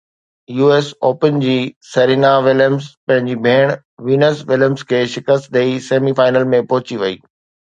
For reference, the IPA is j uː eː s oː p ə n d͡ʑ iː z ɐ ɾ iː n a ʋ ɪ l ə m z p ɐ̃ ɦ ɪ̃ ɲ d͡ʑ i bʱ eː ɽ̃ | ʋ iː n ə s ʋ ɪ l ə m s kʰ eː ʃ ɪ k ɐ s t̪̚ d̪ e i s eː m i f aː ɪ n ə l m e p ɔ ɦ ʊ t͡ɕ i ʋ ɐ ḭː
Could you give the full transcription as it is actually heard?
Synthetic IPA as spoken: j uː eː s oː p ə n d͡ʑ iː s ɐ ɾ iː n a ʋ ɪ l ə m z p ɐ̃ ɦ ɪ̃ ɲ d͡ʑ i bʱ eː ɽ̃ | ʋ iː n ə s ʋ ɪ l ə m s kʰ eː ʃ ɪ k ə s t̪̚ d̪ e i s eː m i f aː ɪ n ə l m ẽ p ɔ ɦ ʊ t͡ɕ i ʋ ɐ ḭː